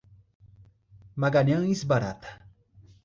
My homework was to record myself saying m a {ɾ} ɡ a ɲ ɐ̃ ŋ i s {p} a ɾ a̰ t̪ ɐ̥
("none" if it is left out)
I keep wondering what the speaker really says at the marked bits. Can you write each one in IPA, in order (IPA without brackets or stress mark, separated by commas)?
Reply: none, b